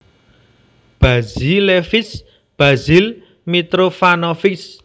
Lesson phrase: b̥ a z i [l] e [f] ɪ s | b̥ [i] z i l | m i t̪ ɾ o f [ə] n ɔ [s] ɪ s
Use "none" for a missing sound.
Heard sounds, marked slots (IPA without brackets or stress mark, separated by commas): l, f, a, a, f